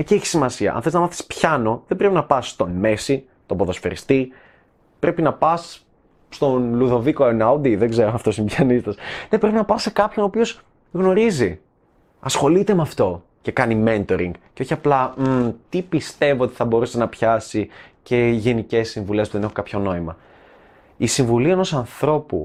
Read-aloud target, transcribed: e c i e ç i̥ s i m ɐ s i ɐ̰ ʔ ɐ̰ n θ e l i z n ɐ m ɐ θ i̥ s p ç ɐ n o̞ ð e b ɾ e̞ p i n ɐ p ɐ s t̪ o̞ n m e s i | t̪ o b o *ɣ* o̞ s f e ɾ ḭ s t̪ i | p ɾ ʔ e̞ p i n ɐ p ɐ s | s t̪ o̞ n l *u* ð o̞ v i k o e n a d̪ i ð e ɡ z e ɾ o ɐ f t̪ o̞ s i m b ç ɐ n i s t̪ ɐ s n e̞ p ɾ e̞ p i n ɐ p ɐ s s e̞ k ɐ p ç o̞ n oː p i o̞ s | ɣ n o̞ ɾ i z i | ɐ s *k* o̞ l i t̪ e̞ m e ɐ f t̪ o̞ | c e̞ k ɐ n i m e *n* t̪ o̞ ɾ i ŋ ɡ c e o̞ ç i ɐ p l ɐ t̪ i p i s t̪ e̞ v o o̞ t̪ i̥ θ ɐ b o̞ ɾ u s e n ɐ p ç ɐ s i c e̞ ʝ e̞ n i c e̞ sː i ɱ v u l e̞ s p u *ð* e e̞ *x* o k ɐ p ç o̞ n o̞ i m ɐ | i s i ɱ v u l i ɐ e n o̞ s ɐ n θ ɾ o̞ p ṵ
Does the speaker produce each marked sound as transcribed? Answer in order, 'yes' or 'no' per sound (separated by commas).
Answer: no, yes, no, yes, yes, yes